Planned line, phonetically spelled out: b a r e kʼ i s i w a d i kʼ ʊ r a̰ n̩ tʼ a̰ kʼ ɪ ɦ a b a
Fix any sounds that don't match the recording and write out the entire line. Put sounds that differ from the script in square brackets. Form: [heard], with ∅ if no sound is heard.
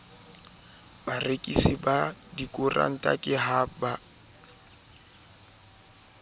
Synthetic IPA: b a r e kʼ i s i [b] a d i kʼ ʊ r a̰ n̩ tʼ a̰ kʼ ɪ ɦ a b a